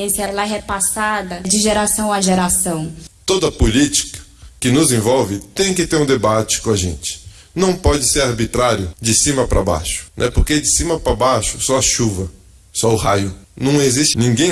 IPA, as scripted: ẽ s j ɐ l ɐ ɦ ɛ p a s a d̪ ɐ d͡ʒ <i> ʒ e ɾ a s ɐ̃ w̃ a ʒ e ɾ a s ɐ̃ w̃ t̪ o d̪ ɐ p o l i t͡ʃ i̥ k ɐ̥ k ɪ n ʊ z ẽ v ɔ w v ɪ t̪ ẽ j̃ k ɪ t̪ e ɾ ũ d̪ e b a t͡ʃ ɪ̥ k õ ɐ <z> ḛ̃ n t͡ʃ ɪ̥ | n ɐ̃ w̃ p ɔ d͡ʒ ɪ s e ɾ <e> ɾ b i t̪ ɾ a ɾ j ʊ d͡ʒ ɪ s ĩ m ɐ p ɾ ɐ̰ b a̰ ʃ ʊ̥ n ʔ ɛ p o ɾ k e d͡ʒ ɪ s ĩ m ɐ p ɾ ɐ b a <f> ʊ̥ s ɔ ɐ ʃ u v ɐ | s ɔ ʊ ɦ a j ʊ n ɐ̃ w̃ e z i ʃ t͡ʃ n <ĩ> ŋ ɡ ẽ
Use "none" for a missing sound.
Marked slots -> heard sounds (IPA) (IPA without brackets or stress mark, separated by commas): ɪ, ʒ, a, ʃ, ĩ